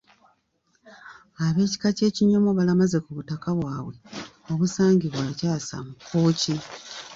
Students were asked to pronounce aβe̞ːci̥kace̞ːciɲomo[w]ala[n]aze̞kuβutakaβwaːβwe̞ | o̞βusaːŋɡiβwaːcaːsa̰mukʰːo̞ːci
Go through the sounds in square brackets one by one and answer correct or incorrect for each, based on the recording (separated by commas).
incorrect, incorrect